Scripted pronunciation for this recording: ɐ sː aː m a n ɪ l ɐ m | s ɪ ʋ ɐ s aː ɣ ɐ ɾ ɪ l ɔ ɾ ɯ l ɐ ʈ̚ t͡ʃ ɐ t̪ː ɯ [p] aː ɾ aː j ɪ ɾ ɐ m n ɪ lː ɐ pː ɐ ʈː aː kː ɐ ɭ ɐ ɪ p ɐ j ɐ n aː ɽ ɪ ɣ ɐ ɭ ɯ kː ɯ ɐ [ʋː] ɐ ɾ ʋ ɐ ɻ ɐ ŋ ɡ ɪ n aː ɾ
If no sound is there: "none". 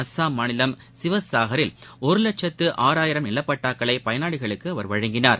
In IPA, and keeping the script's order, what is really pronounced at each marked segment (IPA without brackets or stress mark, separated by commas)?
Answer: ʔ, ʋ